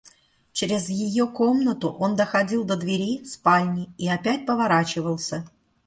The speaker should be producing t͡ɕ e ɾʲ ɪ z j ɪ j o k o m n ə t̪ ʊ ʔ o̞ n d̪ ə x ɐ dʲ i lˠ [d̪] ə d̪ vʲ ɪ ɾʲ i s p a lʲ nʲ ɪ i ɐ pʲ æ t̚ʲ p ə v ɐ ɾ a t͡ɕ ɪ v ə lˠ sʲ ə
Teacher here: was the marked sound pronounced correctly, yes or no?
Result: yes